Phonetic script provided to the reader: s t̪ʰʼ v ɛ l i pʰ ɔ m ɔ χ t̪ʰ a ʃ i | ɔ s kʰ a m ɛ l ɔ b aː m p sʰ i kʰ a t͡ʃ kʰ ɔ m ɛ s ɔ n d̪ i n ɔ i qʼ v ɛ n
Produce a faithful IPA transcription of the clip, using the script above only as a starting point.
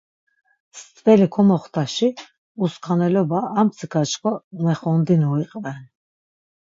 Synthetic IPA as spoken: s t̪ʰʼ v ɛ l i kʰ ɔ m ɔ χ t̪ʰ a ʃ i | u s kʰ a n ɛ l ɔ b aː m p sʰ i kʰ a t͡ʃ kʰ ɔ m ɛ χ ɔ n d̪ i n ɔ i qʼ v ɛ n